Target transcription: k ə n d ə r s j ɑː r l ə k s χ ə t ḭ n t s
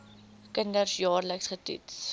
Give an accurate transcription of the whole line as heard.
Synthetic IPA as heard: k ə n d ə r s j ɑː r l ə k s χ ə t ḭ t s